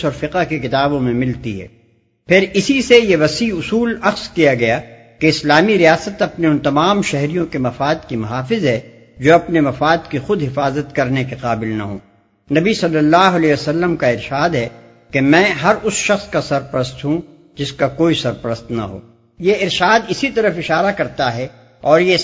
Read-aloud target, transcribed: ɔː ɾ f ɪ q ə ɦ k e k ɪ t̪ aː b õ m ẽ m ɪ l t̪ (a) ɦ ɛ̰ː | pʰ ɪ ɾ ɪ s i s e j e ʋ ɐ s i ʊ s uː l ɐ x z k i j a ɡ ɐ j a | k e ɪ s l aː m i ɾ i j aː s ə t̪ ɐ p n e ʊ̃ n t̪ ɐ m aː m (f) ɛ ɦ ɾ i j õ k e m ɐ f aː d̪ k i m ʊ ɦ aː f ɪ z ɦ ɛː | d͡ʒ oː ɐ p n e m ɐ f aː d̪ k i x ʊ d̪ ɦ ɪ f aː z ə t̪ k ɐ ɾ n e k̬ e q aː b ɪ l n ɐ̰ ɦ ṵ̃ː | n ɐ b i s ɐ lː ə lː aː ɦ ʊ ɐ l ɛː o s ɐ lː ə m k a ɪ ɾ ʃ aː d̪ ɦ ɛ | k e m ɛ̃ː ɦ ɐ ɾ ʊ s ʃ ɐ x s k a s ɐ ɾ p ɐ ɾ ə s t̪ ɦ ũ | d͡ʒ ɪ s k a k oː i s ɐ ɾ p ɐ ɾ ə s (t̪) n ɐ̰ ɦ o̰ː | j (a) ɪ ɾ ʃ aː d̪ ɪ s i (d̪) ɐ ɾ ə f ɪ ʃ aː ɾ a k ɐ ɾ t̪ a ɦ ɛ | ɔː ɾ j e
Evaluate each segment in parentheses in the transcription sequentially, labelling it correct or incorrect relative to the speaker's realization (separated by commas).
incorrect, incorrect, correct, incorrect, incorrect